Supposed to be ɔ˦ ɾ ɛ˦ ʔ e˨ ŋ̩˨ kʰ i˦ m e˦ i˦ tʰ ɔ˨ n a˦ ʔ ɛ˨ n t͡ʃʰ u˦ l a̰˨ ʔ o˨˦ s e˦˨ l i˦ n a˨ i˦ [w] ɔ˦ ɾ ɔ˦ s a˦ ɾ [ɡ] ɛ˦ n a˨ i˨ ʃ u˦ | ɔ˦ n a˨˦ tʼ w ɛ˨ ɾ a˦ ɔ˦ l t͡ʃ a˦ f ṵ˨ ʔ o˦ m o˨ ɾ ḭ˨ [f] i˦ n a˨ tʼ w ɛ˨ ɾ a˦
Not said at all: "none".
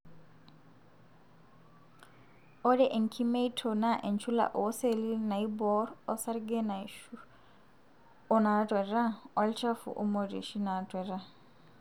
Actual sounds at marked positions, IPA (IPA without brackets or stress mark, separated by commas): b, ɡ, ʃ